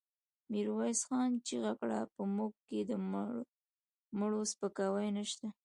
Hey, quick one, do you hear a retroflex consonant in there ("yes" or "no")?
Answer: yes